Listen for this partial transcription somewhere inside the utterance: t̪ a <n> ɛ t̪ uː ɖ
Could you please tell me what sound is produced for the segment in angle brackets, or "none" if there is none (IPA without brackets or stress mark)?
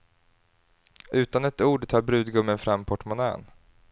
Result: n